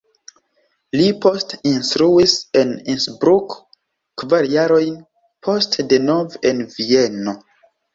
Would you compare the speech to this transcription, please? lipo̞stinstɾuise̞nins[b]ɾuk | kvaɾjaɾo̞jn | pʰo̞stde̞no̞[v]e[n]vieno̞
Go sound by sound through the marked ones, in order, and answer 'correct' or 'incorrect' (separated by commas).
correct, correct, correct